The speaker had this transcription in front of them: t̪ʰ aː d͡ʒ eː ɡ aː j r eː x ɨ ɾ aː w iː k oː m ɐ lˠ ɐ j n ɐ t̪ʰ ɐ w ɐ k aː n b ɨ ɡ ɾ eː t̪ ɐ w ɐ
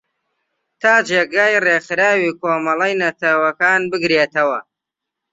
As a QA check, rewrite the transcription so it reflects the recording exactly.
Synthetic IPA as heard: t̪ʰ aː d͡ʒ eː ɡ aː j r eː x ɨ ɾ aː w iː k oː m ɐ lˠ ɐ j n ɐ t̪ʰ ɐ w ɐ k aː n b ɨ ɡ ɾ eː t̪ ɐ w ɐ